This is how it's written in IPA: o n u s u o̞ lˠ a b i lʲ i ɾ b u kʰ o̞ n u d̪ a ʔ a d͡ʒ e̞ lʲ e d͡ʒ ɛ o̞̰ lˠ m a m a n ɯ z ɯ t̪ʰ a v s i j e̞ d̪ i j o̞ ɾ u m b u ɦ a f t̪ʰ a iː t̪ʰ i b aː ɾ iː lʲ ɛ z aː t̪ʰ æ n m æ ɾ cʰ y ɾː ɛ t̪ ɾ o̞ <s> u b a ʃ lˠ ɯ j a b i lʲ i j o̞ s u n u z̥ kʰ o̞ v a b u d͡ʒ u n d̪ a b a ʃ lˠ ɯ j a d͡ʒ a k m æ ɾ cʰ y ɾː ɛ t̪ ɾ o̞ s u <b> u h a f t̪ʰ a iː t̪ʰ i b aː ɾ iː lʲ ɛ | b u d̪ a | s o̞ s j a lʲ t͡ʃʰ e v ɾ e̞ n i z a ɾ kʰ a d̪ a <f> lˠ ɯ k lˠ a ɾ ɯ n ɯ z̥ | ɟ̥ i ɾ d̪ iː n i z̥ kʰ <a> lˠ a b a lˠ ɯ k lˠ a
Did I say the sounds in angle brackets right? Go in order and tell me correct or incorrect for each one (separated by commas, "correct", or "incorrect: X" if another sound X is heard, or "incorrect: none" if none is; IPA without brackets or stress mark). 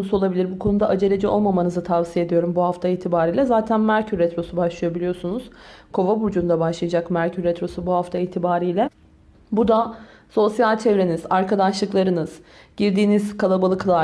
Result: correct, correct, incorrect: ʃ, correct